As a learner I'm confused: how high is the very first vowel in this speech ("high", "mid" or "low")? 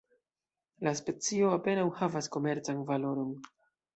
low